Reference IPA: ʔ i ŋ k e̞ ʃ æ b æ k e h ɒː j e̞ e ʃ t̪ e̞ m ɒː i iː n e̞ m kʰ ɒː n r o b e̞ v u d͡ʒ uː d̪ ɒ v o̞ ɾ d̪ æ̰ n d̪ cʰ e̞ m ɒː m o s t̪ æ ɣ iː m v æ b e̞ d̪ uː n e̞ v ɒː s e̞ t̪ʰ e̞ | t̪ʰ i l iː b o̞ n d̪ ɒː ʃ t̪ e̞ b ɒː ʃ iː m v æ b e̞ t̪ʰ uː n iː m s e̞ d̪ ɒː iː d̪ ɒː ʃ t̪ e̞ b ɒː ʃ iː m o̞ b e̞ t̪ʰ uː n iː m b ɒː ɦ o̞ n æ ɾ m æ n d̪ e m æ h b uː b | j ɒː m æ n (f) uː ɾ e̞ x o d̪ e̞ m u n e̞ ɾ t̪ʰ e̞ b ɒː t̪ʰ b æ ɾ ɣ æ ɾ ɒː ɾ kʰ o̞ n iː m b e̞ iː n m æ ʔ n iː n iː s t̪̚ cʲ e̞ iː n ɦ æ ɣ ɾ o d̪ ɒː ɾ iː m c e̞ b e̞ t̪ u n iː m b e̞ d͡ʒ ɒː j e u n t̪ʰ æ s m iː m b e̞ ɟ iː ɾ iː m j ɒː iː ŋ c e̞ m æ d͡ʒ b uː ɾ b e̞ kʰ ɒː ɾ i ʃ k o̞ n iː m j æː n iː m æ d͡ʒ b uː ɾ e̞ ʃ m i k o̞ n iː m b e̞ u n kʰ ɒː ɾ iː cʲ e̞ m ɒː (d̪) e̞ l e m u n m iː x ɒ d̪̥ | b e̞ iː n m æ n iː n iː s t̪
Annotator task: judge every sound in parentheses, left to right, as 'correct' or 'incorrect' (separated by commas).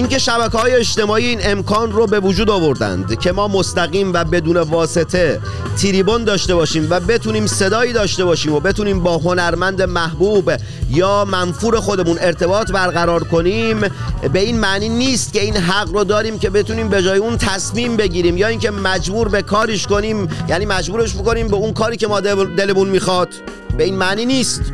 correct, correct